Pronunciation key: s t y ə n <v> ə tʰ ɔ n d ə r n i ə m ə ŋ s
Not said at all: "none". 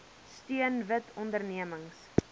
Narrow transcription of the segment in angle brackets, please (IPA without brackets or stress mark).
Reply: v